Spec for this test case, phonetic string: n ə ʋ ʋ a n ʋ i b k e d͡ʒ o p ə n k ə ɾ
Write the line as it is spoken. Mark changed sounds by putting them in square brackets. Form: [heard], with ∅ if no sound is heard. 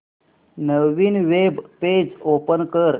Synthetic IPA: n ə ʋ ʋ [i] n ʋ [e] b [p] e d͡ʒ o p ə n k ə ɾ